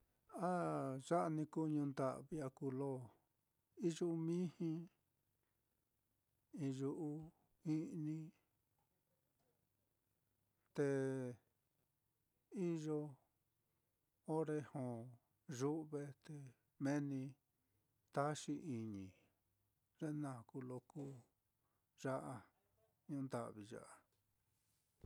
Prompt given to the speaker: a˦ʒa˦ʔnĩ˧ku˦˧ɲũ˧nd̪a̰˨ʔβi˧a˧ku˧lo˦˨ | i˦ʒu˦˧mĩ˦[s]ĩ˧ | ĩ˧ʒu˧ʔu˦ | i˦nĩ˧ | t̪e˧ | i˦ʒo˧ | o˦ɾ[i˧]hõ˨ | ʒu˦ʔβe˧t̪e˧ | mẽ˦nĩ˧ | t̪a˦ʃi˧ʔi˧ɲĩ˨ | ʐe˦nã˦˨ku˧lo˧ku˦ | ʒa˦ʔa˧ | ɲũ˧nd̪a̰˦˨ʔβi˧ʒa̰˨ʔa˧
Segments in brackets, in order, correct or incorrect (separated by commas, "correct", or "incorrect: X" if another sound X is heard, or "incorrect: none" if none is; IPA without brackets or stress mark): incorrect: h, incorrect: e˧